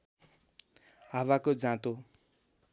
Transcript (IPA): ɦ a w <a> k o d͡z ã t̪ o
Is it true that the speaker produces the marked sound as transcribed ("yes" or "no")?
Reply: yes